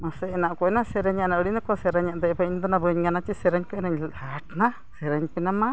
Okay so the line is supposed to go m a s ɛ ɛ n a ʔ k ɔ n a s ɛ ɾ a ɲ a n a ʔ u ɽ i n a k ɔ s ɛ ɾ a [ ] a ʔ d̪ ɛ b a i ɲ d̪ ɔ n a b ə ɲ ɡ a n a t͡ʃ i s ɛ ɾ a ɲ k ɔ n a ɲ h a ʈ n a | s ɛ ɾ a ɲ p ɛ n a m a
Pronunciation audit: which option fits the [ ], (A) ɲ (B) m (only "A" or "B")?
A